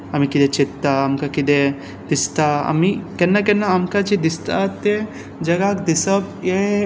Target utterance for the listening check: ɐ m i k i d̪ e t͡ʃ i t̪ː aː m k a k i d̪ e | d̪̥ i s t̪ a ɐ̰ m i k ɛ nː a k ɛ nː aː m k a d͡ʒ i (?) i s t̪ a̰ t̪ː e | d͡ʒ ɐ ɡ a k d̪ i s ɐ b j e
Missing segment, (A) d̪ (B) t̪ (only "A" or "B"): A